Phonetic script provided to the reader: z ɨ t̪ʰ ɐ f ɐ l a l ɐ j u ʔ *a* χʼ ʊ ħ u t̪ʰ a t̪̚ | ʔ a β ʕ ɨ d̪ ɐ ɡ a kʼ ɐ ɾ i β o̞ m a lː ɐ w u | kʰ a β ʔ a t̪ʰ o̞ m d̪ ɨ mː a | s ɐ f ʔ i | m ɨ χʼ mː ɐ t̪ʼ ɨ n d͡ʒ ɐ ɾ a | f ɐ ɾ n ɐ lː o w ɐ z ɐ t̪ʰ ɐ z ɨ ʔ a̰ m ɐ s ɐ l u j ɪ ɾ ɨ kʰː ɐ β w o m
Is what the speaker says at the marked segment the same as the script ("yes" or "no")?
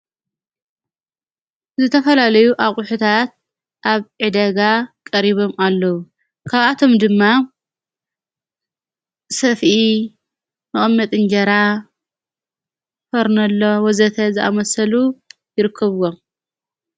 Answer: yes